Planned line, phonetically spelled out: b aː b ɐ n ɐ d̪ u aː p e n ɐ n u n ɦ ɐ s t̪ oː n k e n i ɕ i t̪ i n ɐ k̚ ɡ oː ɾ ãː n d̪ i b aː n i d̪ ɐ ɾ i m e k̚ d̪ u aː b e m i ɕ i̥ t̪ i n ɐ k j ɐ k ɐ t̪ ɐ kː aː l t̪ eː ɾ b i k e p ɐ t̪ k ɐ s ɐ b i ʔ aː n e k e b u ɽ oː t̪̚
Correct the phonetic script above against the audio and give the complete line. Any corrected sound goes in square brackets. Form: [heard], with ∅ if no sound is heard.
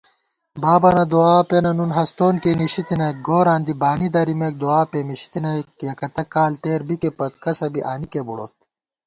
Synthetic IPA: b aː b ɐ n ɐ d̪ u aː p e n ɐ n u n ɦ ɐ s t̪ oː n k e n i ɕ i t̪ i n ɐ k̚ ɡ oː ɾ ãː n d̪ i b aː n i d̪ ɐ ɾ i m e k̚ d̪ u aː [p] e m i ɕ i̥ t̪ i n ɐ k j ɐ k ɐ t̪ ɐ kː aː l t̪ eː ɾ b i k e p ɐ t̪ k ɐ s ɐ b i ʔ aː n [i] k e b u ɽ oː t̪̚